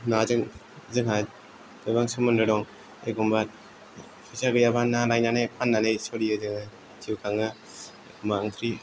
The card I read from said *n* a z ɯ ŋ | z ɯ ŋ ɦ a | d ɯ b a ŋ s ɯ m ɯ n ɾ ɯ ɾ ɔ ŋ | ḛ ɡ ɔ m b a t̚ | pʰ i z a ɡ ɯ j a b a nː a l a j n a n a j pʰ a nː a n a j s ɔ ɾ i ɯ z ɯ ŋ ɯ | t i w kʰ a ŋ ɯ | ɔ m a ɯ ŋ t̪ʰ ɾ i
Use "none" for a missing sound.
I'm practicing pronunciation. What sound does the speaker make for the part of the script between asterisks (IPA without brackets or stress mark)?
n